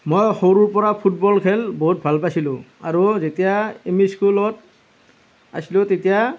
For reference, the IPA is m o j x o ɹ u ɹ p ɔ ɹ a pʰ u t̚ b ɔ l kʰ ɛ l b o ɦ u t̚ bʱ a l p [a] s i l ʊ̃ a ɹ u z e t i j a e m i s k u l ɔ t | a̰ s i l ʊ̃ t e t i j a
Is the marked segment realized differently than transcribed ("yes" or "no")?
no